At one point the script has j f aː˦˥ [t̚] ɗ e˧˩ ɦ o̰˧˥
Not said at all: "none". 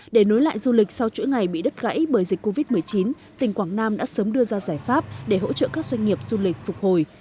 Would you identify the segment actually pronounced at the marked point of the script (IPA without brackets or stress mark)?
p̚